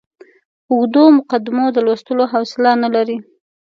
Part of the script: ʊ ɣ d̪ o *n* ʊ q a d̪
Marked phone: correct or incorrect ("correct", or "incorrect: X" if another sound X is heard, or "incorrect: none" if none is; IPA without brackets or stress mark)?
incorrect: m